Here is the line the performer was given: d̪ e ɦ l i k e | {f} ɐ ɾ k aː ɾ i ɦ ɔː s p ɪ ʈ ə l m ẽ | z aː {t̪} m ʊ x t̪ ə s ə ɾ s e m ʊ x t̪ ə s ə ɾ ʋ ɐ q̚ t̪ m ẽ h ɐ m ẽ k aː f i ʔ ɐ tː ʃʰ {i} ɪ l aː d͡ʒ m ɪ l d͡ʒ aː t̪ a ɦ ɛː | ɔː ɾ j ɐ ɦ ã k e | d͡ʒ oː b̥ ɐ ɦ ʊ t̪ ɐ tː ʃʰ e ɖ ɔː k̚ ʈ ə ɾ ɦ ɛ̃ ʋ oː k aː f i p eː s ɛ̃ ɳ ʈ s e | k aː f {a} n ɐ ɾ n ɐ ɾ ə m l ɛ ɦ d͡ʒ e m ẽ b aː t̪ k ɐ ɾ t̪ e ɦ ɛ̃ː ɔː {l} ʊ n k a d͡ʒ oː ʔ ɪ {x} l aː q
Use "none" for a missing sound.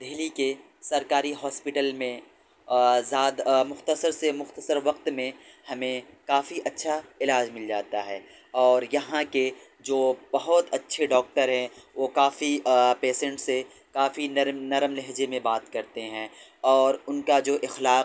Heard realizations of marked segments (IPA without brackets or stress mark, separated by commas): s, d̪, a, i, ɾ, x